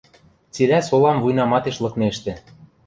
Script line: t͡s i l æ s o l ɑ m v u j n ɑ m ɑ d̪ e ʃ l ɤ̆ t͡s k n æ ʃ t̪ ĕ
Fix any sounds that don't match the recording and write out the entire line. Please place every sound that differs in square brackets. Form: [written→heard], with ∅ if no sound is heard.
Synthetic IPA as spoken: t͡s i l æ s o l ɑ m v u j n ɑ m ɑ [d̪→t̪] e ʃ l ɤ̆ [t͡s→∅] k n [æ→e] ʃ t̪ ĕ